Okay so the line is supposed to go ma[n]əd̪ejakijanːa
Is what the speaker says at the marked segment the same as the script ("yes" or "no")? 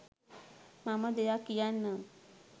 no